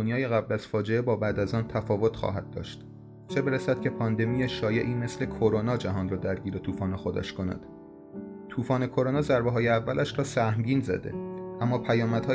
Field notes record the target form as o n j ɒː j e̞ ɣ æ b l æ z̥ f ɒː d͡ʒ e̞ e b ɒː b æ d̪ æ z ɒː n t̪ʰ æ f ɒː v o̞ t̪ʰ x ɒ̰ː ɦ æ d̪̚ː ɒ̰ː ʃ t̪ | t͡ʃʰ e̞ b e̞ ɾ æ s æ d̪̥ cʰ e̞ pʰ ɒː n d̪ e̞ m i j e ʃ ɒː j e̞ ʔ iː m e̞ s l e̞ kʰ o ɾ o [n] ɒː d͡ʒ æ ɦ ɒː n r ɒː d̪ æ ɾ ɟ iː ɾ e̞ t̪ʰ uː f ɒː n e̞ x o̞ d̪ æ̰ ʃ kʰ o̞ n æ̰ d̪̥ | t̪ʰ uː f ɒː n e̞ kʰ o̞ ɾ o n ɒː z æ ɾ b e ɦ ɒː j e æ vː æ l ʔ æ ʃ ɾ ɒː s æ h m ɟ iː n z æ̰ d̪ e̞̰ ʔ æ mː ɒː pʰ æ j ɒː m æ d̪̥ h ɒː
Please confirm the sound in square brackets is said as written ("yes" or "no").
yes